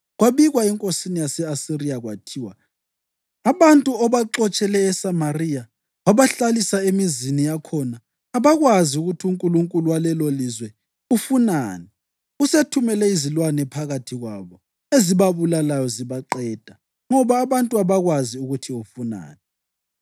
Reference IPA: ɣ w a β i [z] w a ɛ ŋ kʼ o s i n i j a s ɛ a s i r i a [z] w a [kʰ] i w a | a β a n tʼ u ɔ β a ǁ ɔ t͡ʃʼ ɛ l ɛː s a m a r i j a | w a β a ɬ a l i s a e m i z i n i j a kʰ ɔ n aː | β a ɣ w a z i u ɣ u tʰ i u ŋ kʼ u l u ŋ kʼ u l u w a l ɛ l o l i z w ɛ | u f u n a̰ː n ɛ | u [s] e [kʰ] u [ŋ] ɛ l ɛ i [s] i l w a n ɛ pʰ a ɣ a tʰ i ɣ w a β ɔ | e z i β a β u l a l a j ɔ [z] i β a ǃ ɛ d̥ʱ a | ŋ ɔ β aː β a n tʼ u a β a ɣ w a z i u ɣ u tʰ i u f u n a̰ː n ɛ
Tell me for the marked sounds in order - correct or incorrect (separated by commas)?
incorrect, incorrect, incorrect, correct, incorrect, incorrect, incorrect, correct